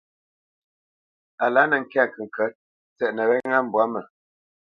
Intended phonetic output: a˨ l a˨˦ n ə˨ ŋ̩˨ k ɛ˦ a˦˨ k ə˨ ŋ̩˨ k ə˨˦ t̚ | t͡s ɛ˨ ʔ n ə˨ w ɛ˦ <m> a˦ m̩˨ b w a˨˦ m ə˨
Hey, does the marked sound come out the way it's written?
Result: no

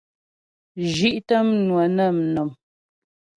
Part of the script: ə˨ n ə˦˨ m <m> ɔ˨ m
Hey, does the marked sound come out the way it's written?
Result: no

